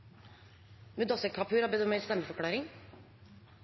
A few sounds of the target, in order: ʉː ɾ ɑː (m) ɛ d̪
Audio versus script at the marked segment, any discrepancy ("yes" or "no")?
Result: yes